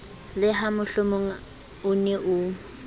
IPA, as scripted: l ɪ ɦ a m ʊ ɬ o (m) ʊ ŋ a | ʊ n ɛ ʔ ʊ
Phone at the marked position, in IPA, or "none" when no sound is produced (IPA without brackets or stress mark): m